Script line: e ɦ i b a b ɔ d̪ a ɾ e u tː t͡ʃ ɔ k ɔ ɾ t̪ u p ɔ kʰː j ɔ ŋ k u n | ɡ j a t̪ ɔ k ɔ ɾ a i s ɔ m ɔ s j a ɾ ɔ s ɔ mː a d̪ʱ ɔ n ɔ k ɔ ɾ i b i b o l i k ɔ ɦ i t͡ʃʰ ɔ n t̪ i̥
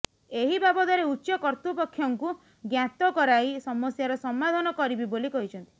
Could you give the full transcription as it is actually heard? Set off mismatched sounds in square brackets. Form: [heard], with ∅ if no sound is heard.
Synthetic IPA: e ɦ i b a b ɔ d̪ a ɾ e u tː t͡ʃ ɔ k ɔ ɾ t̪ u p ɔ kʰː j ɔ ŋ k u [∅] | ɡ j a t̪ ɔ k ɔ ɾ a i s ɔ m ɔ s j a ɾ ɔ s ɔ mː a d̪ʱ ɔ n ɔ k ɔ ɾ i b i b o l i k ɔ ɦ i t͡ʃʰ ɔ n t̪ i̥